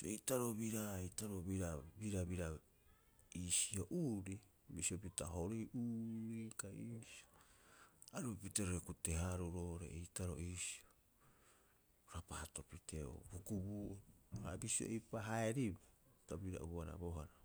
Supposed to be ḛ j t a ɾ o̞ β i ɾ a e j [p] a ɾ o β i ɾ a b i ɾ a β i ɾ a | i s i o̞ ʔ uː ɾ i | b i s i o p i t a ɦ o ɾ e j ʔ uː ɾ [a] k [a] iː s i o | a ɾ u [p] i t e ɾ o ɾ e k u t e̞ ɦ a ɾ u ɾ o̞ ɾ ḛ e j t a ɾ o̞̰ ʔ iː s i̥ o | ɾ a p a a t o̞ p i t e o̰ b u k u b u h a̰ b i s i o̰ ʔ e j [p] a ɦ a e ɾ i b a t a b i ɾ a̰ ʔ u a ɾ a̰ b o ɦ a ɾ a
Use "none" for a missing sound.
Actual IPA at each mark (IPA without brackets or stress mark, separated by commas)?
t, i, a, p, p